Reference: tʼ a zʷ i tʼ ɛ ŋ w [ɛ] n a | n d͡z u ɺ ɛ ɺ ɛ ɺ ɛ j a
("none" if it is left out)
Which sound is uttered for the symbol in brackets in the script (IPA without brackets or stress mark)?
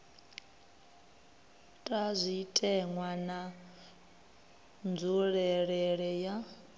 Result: a